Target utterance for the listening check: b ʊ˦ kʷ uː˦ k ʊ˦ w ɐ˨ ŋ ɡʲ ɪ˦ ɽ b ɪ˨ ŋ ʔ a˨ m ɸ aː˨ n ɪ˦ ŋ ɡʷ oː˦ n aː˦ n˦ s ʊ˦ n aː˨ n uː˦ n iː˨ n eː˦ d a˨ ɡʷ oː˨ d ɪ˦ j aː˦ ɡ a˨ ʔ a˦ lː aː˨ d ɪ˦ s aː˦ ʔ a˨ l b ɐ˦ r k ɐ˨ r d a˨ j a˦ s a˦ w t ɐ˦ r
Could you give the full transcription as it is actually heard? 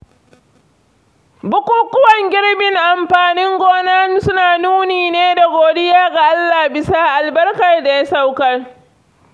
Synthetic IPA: b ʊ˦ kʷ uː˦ k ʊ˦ w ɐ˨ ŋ ɡʲ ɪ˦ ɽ b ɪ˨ ŋ ʔ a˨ m ɸ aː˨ n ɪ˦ ŋ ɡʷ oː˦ n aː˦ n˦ s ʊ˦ n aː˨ n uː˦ n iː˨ n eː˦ d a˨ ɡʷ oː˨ d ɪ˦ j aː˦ ɡ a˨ ʔ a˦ lː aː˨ b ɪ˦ s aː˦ ʔ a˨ l b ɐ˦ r k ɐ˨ r d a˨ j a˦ s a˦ w k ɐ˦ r